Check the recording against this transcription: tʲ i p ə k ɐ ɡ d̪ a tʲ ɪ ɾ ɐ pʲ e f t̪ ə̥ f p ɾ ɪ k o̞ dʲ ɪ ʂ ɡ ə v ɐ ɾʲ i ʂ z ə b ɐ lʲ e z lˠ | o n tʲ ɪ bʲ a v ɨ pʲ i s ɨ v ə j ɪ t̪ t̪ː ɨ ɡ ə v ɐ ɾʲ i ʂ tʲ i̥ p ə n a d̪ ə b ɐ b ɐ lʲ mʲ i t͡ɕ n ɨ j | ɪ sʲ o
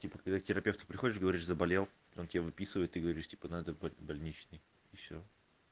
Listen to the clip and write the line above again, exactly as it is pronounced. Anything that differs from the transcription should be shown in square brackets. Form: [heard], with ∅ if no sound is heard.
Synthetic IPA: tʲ i p ə k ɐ ɡ d̪ a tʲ ɪ ɾ ɐ pʲ e f t̪ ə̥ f p ɾ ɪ [x] o̞ dʲ ɪ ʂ ɡ ə v ɐ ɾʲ i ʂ z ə b ɐ lʲ e [∅] lˠ | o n tʲ ɪ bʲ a v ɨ pʲ i s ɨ v ə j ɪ t̪ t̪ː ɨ ɡ ə v ɐ ɾʲ i ʂ tʲ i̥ p ə n a d̪ ə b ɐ b ɐ lʲ [nʲ] i t͡ɕ n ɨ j | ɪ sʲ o